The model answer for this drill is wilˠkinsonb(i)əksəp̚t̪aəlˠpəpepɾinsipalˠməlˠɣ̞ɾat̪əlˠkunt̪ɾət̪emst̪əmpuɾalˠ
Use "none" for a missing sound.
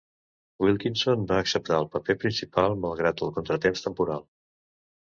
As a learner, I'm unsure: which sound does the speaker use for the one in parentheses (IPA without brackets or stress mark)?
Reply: a